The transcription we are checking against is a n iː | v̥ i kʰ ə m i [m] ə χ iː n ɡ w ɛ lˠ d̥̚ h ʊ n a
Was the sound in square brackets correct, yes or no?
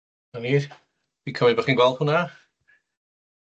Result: no